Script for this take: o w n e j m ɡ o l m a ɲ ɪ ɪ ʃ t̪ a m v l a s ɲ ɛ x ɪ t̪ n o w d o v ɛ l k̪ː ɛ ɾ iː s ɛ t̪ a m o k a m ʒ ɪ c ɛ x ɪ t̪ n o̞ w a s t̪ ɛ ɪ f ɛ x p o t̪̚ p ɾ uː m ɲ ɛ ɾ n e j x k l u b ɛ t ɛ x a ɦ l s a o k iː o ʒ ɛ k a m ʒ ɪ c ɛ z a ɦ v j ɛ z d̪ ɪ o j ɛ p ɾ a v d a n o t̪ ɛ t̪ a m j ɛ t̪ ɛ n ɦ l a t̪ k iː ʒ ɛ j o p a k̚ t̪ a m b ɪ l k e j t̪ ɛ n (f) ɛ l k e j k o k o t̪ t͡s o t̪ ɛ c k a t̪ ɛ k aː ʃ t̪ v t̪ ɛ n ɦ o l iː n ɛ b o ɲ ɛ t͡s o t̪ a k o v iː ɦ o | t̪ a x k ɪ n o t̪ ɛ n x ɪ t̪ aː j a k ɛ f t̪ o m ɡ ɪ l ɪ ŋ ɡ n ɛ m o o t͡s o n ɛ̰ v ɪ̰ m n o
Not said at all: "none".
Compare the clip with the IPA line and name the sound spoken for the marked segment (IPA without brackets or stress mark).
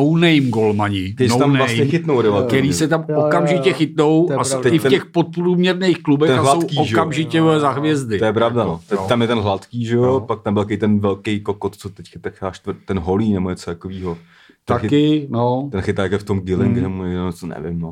v